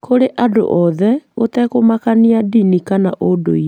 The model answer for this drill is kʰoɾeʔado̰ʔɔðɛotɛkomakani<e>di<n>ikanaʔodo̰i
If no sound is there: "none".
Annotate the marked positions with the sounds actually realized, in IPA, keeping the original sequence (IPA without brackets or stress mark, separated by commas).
a, n